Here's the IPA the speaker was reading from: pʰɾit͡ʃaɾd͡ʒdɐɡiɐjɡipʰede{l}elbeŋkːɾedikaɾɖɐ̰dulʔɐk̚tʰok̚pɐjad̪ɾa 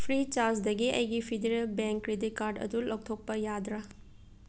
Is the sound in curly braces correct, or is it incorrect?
incorrect: ɾ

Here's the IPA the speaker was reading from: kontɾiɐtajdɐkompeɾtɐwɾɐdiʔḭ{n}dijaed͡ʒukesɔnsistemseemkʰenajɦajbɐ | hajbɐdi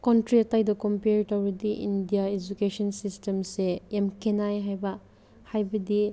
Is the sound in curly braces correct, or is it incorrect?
correct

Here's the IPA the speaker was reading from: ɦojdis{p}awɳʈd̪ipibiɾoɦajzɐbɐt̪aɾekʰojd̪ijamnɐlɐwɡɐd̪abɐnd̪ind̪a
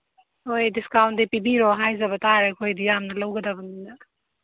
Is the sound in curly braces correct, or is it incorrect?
incorrect: k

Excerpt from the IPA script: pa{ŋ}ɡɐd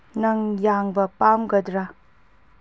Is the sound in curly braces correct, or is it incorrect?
incorrect: m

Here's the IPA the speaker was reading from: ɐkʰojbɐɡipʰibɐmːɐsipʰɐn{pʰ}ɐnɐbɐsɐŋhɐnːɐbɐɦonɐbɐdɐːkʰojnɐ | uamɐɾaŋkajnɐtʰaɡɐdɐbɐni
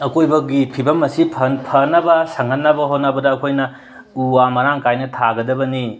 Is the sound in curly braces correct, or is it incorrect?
correct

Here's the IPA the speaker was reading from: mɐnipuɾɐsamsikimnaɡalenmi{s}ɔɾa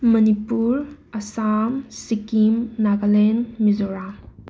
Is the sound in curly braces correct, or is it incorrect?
incorrect: z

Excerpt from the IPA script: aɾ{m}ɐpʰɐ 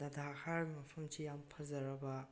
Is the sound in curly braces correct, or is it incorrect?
correct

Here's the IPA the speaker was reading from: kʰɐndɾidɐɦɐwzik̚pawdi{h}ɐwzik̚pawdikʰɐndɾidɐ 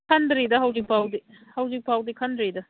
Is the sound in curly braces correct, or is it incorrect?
correct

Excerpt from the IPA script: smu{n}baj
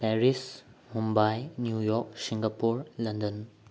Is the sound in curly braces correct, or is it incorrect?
incorrect: m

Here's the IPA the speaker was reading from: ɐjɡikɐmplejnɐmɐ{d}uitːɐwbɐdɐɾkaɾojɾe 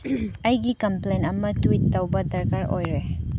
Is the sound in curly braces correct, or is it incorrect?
incorrect: t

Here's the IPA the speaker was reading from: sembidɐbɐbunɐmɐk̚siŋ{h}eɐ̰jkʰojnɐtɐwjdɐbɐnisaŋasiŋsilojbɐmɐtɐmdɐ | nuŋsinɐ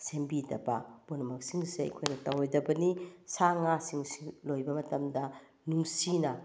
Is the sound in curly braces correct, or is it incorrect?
incorrect: s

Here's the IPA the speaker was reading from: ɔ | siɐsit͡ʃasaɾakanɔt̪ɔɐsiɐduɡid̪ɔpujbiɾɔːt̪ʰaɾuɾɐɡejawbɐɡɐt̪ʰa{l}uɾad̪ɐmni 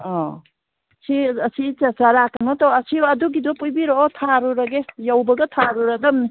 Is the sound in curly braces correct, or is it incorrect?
incorrect: ɾ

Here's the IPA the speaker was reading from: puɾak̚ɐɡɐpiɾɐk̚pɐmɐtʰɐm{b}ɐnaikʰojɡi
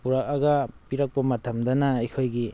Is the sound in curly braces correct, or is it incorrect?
incorrect: d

